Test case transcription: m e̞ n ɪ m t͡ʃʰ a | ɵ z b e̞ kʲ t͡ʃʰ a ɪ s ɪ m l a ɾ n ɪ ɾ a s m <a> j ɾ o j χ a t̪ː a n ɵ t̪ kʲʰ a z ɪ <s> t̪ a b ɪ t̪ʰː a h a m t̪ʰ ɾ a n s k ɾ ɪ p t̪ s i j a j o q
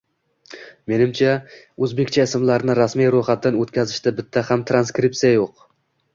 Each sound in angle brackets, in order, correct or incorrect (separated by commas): incorrect, incorrect